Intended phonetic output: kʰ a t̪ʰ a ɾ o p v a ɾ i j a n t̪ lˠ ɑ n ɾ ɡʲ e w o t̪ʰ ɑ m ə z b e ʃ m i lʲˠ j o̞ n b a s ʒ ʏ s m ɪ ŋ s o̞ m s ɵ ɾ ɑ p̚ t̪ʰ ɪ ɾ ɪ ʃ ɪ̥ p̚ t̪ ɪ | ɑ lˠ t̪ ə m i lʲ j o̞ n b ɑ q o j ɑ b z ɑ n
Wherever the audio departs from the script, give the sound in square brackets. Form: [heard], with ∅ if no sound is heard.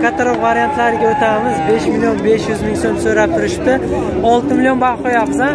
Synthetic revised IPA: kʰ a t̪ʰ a ɾ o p v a ɾ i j a n t̪ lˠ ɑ [∅] ɾ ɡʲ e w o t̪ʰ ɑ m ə z b e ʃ m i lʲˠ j o̞ n b [e] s ʒ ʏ [z] m ɪ ŋ s o̞ m s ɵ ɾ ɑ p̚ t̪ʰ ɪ ɾ ɪ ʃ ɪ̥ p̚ t̪ ɪ | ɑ lˠ t̪ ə m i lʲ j o̞ n b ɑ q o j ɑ b z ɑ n